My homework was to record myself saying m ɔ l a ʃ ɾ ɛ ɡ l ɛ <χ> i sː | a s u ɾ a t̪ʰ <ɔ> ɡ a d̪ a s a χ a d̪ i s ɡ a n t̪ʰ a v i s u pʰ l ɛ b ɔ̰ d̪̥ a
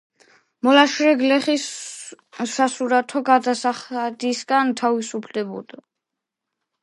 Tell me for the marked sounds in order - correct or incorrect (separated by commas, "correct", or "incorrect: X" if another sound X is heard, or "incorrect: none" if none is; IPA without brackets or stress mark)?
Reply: correct, correct